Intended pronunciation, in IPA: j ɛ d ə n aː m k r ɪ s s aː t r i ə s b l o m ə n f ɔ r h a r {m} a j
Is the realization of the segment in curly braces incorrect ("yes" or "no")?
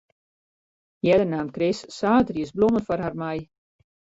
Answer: no